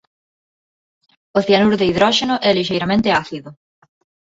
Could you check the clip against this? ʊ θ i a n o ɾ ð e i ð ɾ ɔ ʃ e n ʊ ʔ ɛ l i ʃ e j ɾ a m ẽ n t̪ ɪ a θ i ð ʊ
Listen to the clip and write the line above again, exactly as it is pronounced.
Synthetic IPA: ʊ θ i a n u ɾ ð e i ð ɾ ɔ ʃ e n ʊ ʔ ɛ l i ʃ e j ɾ a m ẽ n t̪ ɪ a θ i ð ʊ